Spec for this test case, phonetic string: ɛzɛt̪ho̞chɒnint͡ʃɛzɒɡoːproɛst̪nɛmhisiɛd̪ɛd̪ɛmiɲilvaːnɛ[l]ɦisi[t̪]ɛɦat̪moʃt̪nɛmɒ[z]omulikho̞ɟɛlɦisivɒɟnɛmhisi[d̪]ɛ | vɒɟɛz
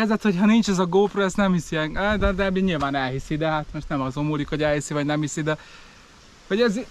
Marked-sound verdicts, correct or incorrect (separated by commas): correct, incorrect, correct, correct